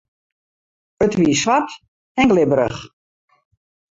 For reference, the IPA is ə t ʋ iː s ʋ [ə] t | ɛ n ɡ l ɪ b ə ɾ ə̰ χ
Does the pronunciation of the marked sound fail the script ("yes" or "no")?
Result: yes